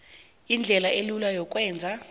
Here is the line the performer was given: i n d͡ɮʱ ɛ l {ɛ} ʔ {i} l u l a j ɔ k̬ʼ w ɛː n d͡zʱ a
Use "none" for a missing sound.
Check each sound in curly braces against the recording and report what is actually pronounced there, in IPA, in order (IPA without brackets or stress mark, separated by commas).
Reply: a, e